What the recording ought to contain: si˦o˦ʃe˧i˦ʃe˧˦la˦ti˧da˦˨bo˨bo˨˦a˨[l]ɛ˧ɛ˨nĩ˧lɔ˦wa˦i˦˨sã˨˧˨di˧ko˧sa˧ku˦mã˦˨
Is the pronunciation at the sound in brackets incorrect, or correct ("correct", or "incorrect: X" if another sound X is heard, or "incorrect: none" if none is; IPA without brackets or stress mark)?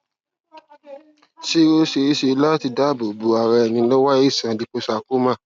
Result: incorrect: ɾ